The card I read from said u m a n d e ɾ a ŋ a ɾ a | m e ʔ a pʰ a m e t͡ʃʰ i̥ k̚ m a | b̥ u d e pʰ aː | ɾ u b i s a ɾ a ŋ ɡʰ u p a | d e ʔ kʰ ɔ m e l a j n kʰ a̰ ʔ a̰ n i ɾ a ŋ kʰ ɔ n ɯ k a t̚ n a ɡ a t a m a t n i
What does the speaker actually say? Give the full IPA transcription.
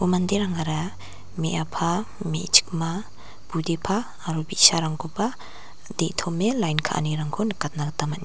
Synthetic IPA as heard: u m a n d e ɾ a ŋ a ɾ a | m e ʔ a pʰ a m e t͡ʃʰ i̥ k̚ m a | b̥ u d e pʰ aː | ɾ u b i s a ɾ a ŋ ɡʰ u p a | d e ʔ tʰ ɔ m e l a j n kʰ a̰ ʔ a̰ n i ɾ a ŋ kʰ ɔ n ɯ k a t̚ n a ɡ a t a m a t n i